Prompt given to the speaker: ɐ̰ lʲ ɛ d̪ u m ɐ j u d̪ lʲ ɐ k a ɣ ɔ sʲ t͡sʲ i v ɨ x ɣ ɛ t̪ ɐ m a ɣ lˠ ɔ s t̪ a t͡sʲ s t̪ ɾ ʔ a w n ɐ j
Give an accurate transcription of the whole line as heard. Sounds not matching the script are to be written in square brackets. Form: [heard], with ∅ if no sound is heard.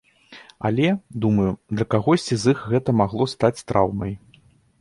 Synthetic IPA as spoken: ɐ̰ lʲ ɛ d̪ u m ɐ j u d̪ lʲ ɐ k a ɣ ɔ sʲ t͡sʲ i [z] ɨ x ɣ ɛ t̪ ɐ m a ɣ lˠ ɔ s t̪ a t͡sʲ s t̪ ɾ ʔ a w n ɐ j